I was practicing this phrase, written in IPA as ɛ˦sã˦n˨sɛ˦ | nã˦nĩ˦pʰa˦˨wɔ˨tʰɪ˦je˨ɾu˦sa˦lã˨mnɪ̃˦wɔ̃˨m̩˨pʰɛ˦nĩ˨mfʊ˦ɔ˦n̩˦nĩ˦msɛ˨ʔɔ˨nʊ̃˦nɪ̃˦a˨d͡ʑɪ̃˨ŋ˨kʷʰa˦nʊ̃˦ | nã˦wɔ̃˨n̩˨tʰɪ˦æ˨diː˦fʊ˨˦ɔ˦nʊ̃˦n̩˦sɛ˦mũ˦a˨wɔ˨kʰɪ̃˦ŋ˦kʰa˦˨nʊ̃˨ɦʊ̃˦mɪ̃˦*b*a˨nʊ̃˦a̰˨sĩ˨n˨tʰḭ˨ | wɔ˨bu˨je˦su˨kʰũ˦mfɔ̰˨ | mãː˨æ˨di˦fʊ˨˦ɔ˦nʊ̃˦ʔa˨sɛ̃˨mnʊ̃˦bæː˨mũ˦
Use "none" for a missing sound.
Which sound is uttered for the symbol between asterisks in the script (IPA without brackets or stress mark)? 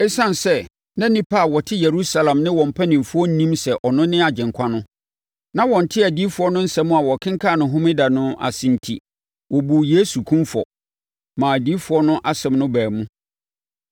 d